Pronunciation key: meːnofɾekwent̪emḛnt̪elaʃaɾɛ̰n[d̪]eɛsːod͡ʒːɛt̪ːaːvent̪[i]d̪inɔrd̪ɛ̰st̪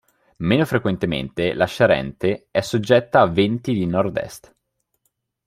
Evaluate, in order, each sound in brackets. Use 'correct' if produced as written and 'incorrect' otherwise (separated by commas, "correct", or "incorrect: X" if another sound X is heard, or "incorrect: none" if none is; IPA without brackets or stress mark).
incorrect: t̪, correct